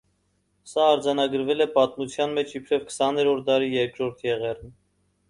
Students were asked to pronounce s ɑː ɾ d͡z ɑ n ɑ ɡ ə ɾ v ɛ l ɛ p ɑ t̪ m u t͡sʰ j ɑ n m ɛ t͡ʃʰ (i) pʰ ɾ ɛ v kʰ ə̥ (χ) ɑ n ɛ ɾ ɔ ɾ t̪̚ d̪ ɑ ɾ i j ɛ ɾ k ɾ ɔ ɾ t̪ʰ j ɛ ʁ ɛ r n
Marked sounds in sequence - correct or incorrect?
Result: correct, incorrect: s

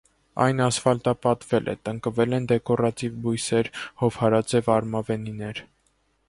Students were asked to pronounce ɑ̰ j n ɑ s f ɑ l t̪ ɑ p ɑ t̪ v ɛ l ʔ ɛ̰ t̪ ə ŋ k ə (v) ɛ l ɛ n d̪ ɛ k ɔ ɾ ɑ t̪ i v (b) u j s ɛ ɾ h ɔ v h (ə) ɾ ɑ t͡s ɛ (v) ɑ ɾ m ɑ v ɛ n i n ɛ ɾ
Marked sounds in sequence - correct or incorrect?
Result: correct, correct, incorrect: ɑ, correct

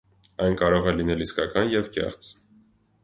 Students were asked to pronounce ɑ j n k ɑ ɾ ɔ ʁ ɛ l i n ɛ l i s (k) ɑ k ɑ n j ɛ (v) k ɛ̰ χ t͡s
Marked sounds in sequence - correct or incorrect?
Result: correct, correct

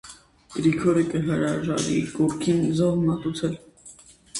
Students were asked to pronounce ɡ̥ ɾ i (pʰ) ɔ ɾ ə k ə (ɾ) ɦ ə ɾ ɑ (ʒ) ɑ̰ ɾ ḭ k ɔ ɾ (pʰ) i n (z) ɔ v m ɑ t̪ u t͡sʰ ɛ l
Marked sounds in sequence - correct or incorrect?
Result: incorrect: kʰ, incorrect: none, correct, incorrect: kʰ, correct

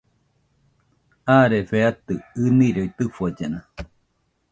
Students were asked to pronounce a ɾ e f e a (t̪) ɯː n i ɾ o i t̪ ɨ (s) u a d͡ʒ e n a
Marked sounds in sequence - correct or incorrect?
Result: correct, incorrect: f

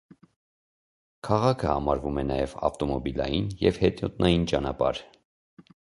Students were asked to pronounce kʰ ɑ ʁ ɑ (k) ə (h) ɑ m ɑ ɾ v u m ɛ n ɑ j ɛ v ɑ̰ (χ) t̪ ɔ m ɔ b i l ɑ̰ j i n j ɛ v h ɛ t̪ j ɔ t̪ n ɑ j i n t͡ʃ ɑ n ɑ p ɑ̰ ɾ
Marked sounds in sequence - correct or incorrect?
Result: incorrect: kʰ, correct, incorrect: f

